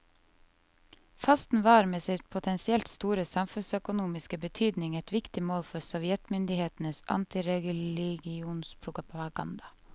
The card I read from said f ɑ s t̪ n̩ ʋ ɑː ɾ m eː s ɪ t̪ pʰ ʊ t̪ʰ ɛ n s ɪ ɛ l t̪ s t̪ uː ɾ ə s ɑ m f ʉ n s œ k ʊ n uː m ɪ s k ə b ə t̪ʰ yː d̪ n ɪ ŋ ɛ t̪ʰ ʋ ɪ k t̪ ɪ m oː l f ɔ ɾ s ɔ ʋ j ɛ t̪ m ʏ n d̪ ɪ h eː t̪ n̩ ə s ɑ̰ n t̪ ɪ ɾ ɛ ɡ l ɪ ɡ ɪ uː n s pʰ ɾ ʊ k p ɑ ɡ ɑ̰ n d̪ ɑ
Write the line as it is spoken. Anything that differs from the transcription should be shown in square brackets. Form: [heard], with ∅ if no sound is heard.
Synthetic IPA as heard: f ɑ s t̪ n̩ ʋ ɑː ɾ m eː s ɪ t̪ pʰ ʊ t̪ʰ ɛ n s ɪ ɛ l t̪ s t̪ uː ɾ ə s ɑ m f ʉ n s œ k ʊ n uː m ɪ s k ə b ə t̪ʰ yː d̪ n ɪ ŋ ɛ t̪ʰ ʋ ɪ k t̪ ɪ m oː l f ɔ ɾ s ɔ ʋ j ɛ t̪ m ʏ n d̪ ɪ h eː t̪ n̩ ə s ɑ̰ n t̪ ɪ ɾ ɛ ɡ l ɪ ɡ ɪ uː n s pʰ ɾ ʊ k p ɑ ɡ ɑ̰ n d̪ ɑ